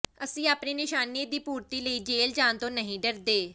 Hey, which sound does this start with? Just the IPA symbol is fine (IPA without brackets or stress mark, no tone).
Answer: ə